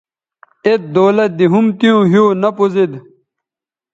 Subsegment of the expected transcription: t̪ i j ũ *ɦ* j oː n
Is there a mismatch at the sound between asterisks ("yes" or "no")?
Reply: no